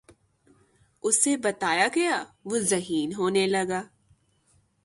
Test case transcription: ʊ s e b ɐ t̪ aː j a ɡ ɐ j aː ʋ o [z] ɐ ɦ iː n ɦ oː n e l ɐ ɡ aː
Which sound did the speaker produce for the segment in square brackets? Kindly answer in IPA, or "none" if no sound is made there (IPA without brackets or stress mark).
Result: z